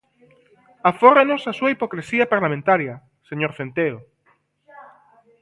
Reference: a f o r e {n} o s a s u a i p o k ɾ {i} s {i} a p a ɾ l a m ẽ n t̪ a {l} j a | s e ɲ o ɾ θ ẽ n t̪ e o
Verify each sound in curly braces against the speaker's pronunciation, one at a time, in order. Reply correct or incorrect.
correct, incorrect: e, correct, incorrect: ɾ

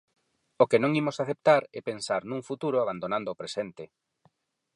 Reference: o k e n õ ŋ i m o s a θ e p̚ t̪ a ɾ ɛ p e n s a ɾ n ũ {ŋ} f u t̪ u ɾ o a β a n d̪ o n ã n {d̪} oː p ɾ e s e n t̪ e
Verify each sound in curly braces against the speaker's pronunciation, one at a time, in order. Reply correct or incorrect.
correct, correct

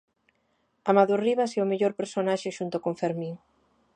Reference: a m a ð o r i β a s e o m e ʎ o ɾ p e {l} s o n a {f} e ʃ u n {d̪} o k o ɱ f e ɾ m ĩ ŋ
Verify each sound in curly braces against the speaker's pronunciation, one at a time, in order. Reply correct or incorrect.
incorrect: ɾ, incorrect: ʃ, incorrect: t̪

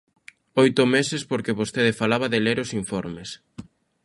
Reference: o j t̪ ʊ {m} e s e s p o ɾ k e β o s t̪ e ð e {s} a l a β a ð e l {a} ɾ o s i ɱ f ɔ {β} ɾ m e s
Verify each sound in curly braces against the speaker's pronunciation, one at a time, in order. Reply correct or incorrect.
correct, incorrect: f, incorrect: e, incorrect: none

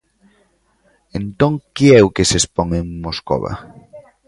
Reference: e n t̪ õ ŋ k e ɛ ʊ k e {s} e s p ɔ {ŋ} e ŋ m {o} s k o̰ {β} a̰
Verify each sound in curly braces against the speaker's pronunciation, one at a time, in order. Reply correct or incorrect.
correct, correct, correct, correct

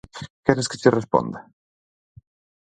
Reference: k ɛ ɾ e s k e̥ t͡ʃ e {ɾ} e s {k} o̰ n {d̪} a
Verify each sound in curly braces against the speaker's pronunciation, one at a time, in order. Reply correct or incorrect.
incorrect: r, incorrect: p, correct

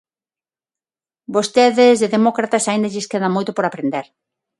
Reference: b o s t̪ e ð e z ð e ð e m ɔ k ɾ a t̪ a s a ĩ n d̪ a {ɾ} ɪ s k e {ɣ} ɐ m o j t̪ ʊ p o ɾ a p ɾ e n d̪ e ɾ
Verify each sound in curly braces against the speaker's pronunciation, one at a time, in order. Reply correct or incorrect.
incorrect: ʎ, incorrect: ð

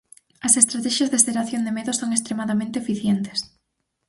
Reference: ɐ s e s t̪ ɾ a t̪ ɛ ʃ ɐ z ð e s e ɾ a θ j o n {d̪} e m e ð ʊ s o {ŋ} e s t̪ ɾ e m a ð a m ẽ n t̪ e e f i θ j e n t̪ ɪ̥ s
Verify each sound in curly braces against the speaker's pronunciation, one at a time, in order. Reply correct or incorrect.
correct, correct

